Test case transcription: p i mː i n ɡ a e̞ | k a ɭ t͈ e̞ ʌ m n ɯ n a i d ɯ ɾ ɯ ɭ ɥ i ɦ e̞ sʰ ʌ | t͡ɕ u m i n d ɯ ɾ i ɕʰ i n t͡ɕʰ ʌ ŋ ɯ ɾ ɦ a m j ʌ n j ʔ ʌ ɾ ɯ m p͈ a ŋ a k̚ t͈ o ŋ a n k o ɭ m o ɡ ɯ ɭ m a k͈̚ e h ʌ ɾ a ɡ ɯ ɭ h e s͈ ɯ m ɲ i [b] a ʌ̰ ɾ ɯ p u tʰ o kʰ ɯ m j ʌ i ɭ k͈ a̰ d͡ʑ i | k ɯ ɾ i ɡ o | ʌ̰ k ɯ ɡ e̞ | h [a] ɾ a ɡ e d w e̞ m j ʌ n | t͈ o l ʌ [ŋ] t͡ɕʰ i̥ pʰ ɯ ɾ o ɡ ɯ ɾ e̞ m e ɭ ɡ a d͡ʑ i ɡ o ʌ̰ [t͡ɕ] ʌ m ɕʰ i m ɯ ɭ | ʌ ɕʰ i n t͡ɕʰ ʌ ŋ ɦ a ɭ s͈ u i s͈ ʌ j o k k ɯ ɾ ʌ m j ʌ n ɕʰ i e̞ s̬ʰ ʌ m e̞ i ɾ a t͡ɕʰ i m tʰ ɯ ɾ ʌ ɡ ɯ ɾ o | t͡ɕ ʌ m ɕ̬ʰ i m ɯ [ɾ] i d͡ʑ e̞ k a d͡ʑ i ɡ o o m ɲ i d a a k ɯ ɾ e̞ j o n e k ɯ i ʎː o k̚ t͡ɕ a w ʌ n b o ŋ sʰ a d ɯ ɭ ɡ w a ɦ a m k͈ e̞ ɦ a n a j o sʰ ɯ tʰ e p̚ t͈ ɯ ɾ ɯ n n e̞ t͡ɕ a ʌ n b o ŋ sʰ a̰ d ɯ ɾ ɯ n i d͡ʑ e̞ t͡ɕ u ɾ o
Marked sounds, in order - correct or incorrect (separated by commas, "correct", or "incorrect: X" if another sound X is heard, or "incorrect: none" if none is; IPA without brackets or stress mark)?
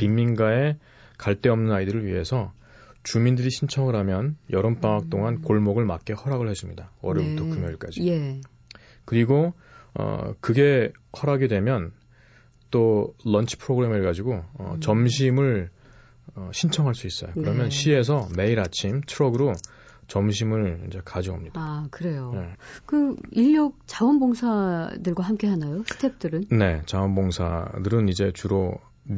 incorrect: d, incorrect: ʌ, incorrect: n, correct, incorrect: ɭ